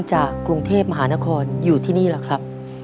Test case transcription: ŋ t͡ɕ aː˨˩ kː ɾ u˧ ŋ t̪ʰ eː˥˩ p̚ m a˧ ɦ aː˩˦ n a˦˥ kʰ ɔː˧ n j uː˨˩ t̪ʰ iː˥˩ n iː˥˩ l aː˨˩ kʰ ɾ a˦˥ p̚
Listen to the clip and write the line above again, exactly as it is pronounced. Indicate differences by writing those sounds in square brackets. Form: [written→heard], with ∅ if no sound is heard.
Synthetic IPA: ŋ t͡ɕ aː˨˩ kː ɾ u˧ ŋ t̪ʰ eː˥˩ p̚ m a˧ ɦ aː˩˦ n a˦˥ kʰ ɔː˧ n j uː˨˩ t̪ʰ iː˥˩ n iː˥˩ l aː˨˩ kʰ ɾ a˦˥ p̚